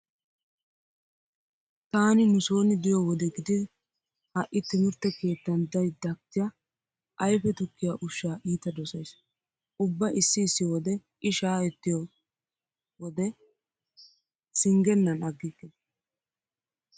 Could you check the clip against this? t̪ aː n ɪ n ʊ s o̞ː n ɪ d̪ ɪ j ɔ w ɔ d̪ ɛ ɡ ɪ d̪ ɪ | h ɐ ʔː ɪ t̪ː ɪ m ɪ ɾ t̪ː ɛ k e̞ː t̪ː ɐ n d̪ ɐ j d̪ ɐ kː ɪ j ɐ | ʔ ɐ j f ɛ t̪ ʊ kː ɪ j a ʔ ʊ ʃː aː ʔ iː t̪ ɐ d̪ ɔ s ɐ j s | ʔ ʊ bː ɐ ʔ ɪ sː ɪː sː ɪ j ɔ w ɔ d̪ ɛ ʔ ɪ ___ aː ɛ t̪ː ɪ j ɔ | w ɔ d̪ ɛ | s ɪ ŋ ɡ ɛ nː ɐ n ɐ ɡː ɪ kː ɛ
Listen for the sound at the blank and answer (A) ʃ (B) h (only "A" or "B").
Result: A